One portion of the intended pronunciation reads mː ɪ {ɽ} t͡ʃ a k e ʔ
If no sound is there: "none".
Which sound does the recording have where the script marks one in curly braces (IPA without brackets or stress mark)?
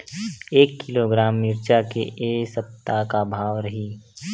ɾ